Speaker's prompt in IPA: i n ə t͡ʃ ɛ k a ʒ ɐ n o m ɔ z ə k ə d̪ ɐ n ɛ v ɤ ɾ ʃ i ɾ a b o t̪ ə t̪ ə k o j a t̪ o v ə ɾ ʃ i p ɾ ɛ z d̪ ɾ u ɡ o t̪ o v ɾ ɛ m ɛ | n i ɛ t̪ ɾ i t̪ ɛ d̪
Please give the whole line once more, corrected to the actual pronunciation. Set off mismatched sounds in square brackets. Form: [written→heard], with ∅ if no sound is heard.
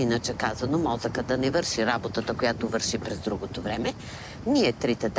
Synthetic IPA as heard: i n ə t͡ʃ ɛ k a [ʒ→z] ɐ n o m ɔ z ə k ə d̪ ɐ n ɛ v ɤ ɾ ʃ i ɾ a b o t̪ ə t̪ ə k o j a t̪ o v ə ɾ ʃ i p ɾ ɛ z d̪ ɾ u ɡ o t̪ o v ɾ ɛ m ɛ | n i ɛ t̪ ɾ i t̪ ɛ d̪